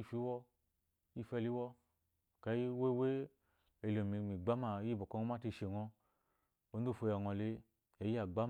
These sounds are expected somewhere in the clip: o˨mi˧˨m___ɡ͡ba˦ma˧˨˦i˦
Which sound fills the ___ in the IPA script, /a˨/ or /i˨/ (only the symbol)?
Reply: i˨